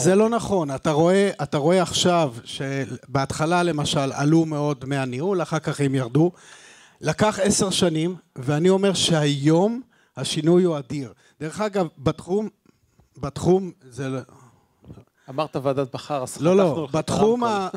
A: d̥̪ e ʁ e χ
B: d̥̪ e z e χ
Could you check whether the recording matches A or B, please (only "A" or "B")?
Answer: A